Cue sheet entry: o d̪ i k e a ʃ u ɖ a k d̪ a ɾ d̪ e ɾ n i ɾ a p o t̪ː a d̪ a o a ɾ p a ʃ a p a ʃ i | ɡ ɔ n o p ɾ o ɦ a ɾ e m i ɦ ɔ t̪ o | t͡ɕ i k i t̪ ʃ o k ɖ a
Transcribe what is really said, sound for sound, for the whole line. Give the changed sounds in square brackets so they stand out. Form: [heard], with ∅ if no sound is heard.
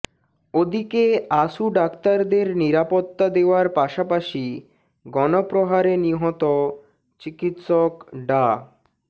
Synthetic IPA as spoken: o d̪ i k e a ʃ u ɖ a k [t̪] a ɾ d̪ e ɾ n i ɾ a p o t̪ː a d̪ [e] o a ɾ p a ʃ a p a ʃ i | ɡ ɔ n o p ɾ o ɦ a ɾ e [n] i ɦ ɔ t̪ o | t͡ɕ i k i t̪ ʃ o k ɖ a